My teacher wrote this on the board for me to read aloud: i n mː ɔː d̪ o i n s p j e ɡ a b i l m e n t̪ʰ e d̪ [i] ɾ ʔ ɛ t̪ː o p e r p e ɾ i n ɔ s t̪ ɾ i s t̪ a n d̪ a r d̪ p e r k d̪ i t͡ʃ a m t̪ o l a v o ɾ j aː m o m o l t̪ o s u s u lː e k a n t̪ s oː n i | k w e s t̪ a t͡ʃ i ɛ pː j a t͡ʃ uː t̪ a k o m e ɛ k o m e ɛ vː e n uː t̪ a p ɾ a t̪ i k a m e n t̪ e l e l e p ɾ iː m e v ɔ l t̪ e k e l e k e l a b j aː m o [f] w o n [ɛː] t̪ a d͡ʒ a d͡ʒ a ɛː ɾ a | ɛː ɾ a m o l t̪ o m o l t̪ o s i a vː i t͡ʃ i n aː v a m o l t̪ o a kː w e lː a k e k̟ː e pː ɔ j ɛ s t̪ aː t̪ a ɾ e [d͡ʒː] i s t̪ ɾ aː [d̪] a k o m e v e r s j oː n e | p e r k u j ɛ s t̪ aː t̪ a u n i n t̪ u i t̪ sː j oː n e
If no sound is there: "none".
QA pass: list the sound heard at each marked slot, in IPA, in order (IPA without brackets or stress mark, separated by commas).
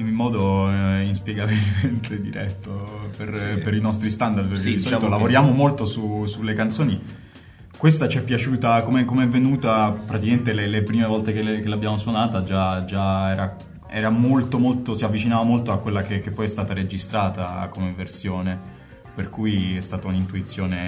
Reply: i, s, aː, d͡ʒ, t̪